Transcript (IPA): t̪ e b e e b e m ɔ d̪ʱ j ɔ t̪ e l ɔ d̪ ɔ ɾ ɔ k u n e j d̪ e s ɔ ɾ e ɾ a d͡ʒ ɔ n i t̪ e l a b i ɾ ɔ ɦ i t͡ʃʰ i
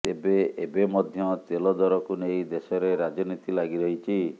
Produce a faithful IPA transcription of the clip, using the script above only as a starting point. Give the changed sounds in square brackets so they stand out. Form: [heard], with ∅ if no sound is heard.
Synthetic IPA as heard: t̪ e b e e b e m ɔ d̪ʱ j ɔ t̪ e l ɔ d̪ ɔ ɾ ɔ k u n e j d̪ e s ɔ ɾ e ɾ a d͡ʒ ɔ n i t̪ [i] l a [ɡ] i ɾ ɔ ɦ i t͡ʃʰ i